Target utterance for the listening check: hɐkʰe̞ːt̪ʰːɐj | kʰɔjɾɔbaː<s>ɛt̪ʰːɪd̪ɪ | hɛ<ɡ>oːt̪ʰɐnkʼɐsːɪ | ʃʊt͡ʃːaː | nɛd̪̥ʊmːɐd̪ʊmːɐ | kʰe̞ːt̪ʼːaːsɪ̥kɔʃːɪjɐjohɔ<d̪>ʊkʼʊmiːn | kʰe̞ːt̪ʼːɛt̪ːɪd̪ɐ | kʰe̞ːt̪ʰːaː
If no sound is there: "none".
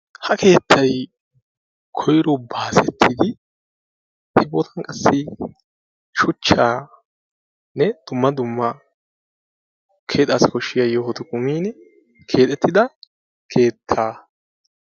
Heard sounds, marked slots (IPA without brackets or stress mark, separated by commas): s, b, t̪